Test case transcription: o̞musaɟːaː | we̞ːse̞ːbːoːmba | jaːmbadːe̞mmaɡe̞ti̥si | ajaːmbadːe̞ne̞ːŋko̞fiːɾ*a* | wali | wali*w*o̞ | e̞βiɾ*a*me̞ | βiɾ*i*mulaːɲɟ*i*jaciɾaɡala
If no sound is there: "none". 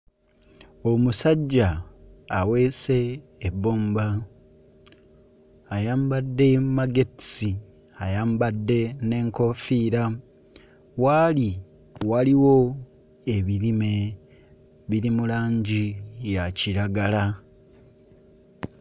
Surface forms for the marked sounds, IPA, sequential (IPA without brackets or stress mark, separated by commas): a, w, i, i, i